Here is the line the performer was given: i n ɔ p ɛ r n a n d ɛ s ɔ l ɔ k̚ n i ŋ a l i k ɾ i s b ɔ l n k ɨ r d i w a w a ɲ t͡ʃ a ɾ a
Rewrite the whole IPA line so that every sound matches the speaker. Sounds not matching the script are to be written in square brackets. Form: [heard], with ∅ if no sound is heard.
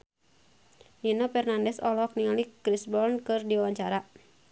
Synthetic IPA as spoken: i n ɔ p ɛ r n a n d ɛ s ɔ l ɔ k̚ n i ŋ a l i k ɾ i s b ɔ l n k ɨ r d i w a w a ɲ t͡ʃ a ɾ a